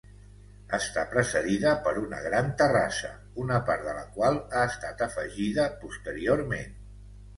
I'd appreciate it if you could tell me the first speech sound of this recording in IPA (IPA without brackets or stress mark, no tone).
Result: ə